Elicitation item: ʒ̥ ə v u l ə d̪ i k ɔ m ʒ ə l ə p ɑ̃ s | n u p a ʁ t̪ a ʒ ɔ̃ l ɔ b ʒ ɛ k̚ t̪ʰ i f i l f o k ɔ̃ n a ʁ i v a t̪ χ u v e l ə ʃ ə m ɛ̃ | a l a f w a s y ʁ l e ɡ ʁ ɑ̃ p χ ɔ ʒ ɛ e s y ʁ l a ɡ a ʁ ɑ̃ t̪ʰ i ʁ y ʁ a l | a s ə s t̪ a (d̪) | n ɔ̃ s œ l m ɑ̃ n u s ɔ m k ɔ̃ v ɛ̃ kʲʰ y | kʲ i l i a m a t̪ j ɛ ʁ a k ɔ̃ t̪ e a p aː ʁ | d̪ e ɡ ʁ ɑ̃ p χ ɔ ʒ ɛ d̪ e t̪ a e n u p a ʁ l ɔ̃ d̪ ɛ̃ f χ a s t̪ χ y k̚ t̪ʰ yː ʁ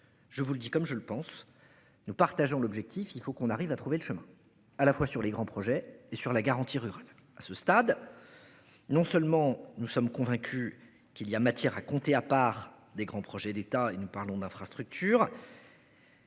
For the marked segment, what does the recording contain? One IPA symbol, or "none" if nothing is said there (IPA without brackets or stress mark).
d̪